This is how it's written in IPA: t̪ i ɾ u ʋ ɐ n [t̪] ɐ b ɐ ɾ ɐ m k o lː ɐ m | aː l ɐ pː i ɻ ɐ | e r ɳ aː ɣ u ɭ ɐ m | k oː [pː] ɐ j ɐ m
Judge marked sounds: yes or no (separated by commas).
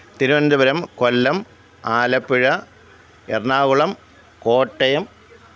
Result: no, no